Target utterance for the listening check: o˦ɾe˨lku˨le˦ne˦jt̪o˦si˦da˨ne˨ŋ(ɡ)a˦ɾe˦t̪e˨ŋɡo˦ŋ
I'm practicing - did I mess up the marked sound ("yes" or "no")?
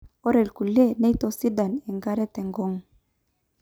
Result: no